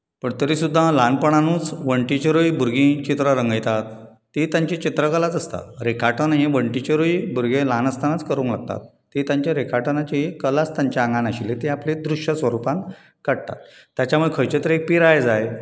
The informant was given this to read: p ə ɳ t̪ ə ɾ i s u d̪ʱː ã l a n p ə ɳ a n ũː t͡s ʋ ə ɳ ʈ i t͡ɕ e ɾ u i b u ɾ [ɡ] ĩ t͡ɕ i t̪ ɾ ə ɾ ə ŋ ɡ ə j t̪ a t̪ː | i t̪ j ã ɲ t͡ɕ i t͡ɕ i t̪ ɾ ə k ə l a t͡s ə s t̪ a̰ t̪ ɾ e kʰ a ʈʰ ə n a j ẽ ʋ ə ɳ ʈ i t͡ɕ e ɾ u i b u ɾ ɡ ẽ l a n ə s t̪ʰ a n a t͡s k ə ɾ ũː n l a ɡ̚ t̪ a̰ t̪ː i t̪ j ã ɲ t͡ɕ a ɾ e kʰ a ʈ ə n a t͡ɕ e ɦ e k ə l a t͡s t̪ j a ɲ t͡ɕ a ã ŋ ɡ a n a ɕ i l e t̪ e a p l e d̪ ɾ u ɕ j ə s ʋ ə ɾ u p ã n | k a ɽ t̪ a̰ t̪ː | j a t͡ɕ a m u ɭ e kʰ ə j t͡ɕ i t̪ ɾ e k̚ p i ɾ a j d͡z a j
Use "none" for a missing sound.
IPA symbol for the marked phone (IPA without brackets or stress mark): ɡ